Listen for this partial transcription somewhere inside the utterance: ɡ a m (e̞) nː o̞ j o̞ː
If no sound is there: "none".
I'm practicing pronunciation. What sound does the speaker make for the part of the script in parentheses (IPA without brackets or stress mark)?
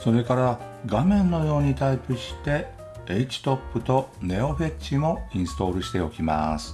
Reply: ẽ̞